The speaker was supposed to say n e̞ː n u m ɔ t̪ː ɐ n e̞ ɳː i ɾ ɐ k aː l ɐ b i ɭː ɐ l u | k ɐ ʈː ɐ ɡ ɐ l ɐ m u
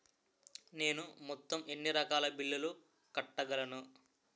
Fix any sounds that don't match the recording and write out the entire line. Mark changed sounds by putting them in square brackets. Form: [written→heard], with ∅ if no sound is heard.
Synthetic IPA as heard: n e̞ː n u m ɔ t̪ː ɐ [n→m] e̞ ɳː i ɾ ɐ k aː l ɐ b i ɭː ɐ l u | k ɐ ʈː ɐ ɡ ɐ l ɐ [m→n] u